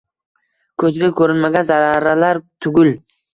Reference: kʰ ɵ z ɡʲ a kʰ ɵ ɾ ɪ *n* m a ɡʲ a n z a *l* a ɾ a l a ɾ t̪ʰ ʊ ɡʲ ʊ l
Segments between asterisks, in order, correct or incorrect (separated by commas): correct, incorrect